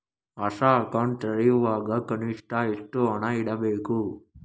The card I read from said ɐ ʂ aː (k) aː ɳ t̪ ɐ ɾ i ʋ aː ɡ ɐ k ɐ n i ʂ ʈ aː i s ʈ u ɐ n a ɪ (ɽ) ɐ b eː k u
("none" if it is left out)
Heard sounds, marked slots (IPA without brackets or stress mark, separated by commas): k, ɽ